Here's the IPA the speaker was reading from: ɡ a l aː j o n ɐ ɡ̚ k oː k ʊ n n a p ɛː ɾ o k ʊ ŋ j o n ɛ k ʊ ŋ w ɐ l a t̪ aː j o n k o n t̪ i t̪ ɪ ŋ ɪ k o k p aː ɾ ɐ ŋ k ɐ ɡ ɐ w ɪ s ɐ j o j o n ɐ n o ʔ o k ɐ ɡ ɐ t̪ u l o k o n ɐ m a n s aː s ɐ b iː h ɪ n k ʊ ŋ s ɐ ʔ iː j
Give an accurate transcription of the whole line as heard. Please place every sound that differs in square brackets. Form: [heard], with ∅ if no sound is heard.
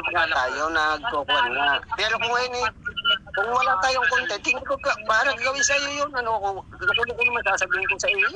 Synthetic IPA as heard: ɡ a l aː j o n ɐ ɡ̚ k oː k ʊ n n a p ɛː ɾ o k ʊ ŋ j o n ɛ k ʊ ŋ w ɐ l a t̪ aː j o [ŋ] k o n t̪ [ɛ] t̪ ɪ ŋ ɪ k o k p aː ɾ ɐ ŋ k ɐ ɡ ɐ w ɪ s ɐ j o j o n ɐ n o [k] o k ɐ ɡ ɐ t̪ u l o k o n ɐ m a n s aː s ɐ b iː h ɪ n k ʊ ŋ s ɐ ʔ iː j